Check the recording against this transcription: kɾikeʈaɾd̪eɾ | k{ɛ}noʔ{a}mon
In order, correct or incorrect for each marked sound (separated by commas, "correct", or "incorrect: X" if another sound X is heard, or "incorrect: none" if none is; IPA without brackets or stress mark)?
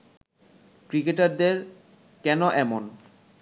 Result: correct, incorrect: ɛ